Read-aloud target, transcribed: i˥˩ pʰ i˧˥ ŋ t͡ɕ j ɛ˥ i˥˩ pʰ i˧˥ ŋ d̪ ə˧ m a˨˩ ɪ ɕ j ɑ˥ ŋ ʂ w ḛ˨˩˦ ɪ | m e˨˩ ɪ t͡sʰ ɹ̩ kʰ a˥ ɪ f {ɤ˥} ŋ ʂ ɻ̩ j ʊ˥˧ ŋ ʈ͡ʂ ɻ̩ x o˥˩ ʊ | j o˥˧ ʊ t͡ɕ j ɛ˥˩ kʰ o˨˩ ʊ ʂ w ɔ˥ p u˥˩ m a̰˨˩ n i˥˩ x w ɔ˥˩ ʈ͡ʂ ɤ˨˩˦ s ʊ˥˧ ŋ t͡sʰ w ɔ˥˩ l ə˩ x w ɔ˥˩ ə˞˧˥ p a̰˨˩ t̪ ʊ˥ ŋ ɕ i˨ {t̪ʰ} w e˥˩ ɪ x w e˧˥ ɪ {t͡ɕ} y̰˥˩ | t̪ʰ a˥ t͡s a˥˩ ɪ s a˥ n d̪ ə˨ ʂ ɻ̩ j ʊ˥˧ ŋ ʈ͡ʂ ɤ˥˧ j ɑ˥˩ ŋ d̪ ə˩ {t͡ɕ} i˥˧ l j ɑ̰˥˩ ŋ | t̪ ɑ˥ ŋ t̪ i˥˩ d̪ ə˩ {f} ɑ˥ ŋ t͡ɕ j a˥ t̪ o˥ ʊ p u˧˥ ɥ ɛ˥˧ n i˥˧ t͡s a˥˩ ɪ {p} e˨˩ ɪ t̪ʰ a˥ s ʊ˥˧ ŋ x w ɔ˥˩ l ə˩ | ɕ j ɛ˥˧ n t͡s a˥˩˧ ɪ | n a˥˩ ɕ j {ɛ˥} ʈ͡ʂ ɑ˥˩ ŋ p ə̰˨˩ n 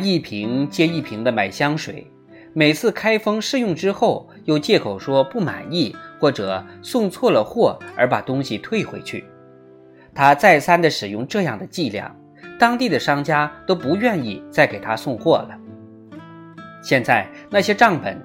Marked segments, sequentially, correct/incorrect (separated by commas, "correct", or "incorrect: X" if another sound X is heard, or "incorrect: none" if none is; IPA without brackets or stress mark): correct, correct, incorrect: t͡ɕʰ, correct, incorrect: ʂ, incorrect: k, correct